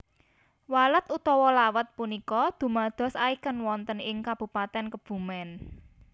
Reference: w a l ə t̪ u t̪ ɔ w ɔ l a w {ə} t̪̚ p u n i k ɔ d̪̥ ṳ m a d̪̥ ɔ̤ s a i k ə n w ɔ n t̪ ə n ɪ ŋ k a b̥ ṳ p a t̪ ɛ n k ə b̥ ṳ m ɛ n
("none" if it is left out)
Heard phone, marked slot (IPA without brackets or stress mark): ə